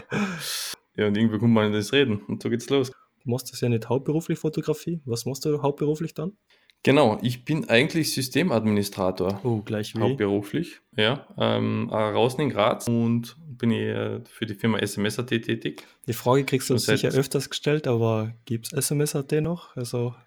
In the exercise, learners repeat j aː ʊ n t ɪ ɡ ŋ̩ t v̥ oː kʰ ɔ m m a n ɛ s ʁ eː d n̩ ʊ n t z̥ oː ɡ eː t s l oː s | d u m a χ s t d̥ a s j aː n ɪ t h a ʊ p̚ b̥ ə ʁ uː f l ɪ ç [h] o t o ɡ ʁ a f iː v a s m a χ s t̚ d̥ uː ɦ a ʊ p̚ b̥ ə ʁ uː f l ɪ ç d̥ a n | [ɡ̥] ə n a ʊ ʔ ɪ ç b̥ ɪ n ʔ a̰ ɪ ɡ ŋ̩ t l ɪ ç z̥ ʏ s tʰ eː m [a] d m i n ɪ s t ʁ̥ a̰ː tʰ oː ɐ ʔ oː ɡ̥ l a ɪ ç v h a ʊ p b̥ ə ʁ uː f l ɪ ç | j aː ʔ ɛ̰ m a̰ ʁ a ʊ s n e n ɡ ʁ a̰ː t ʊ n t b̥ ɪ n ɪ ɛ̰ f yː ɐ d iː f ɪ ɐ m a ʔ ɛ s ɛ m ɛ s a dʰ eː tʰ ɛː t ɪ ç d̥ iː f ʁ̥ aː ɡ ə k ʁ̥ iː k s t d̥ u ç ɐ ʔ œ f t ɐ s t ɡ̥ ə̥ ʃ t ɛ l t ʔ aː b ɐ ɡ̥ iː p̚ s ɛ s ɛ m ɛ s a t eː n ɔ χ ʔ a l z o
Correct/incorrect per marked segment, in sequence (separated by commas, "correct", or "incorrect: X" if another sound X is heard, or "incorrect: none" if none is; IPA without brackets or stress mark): incorrect: f, correct, correct